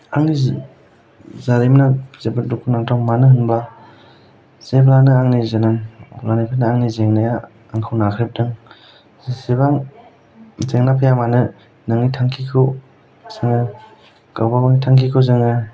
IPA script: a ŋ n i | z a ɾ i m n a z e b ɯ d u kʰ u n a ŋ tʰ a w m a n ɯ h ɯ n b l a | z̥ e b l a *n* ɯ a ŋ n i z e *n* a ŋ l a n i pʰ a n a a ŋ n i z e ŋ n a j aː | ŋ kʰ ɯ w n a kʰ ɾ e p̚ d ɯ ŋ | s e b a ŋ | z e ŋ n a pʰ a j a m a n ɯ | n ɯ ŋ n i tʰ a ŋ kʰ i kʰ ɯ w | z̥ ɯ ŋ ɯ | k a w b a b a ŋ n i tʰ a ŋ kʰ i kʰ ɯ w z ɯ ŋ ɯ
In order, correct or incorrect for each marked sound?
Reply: correct, correct

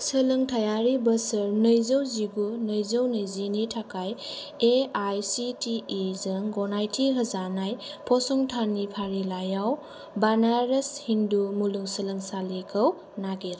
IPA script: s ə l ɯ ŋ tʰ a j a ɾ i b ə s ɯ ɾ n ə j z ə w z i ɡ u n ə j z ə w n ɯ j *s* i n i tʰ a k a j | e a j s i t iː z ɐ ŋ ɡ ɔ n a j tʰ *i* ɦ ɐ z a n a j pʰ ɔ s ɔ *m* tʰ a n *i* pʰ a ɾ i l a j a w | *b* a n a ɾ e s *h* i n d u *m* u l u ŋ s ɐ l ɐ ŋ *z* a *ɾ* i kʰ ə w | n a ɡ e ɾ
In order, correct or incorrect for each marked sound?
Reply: incorrect, correct, incorrect, correct, correct, correct, correct, incorrect, incorrect

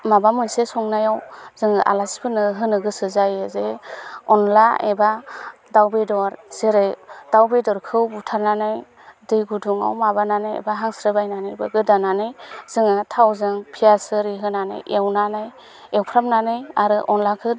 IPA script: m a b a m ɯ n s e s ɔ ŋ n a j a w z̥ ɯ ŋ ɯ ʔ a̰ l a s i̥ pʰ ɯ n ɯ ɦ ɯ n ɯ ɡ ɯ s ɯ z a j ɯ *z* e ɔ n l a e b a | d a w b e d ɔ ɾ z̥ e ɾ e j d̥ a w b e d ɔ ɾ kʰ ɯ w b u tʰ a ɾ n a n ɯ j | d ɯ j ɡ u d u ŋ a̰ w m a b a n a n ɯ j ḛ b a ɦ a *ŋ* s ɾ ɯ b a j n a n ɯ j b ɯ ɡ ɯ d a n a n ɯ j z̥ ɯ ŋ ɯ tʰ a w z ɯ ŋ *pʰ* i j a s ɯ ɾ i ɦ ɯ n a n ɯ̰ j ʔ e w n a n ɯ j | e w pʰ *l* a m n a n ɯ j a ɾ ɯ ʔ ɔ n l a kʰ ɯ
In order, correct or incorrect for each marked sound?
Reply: correct, correct, correct, incorrect

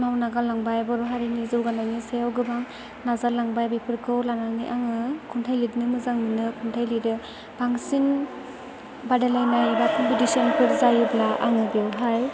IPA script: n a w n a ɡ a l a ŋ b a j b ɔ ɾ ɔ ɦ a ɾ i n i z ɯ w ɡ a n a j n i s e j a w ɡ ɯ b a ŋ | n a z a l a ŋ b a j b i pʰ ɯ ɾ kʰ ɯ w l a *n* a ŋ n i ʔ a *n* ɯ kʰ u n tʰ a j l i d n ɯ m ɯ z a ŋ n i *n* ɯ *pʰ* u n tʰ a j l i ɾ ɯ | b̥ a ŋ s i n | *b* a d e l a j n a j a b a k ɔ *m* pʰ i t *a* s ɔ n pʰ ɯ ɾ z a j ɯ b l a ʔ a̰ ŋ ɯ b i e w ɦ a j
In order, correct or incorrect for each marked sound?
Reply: correct, incorrect, correct, incorrect, correct, correct, incorrect

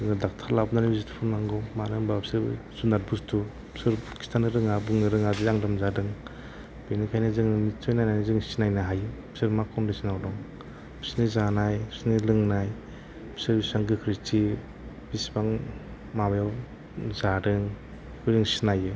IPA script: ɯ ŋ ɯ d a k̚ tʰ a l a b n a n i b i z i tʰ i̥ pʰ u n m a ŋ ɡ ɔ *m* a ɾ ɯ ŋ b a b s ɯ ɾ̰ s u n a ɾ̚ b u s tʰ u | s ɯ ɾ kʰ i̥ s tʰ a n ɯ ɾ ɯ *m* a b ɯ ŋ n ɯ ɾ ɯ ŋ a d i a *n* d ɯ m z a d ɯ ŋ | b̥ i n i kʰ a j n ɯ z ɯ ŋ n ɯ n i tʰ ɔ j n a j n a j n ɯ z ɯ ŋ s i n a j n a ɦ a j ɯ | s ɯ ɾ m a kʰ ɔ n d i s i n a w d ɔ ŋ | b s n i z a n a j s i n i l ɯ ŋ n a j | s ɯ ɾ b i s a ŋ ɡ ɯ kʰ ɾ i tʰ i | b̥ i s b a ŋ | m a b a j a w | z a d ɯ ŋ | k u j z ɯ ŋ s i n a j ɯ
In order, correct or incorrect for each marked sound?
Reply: correct, incorrect, incorrect

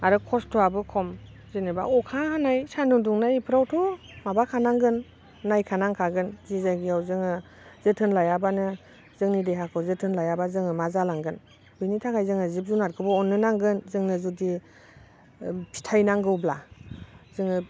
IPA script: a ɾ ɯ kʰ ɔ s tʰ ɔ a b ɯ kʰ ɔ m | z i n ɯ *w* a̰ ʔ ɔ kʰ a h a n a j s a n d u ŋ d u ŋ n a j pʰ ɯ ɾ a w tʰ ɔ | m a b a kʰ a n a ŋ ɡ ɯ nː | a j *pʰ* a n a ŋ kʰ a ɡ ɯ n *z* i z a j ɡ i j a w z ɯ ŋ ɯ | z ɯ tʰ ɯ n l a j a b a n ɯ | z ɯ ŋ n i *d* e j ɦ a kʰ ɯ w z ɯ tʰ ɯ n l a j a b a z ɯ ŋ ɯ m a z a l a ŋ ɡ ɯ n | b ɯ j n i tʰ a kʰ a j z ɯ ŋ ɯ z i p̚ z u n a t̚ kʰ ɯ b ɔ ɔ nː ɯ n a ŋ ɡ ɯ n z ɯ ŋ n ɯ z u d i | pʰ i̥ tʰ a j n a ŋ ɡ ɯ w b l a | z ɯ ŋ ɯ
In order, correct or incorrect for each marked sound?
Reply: incorrect, incorrect, correct, correct

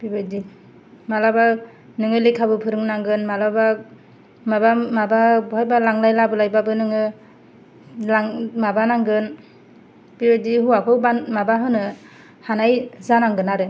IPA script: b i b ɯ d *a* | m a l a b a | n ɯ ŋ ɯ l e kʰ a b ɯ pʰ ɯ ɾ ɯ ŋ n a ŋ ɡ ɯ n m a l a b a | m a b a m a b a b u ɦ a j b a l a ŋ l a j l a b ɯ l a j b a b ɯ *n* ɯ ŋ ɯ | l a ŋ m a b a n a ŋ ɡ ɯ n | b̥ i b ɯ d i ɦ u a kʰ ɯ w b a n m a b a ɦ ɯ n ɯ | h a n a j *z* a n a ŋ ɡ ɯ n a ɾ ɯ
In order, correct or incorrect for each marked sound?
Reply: incorrect, correct, correct

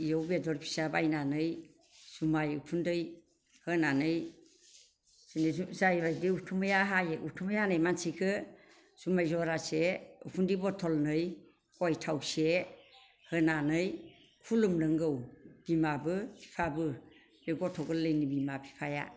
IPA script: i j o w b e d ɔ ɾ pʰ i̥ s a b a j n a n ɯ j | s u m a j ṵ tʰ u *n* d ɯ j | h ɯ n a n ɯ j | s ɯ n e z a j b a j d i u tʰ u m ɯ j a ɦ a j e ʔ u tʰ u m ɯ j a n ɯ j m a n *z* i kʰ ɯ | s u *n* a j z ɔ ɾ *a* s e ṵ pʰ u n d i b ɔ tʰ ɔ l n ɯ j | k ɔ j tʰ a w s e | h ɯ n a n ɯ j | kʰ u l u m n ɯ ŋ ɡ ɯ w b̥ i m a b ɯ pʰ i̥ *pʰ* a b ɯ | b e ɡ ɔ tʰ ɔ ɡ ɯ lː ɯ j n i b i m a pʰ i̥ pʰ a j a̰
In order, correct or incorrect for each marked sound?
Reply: correct, incorrect, incorrect, correct, correct

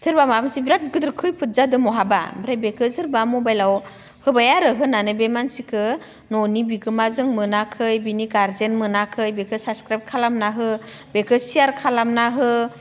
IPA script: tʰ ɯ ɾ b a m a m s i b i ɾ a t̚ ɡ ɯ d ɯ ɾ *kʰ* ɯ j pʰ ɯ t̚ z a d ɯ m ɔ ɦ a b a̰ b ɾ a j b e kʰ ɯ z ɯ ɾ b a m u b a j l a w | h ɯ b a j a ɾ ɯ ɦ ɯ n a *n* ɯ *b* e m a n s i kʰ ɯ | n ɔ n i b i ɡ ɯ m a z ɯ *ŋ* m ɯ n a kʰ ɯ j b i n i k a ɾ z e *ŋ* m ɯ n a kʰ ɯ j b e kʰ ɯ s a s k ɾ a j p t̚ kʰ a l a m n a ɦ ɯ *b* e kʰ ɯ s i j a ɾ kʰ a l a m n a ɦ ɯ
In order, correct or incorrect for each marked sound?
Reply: correct, correct, correct, correct, incorrect, correct

